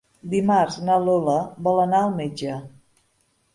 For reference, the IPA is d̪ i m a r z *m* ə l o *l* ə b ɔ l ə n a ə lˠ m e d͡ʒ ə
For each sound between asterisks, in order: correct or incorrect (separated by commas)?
incorrect, correct